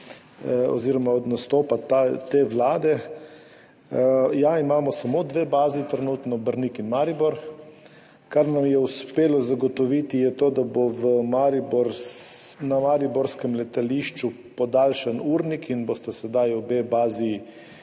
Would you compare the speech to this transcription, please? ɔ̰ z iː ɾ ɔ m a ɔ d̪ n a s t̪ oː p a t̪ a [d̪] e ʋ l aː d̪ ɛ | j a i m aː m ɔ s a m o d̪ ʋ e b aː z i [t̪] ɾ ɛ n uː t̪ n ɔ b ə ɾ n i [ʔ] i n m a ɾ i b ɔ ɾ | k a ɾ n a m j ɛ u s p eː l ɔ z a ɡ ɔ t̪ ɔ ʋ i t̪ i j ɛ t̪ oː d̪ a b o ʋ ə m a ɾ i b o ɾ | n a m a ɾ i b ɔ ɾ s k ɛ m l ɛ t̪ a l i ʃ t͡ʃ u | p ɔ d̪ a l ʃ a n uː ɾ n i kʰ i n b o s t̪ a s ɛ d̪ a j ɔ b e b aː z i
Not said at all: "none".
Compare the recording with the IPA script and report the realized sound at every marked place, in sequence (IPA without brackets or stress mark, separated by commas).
t̪, t̪, k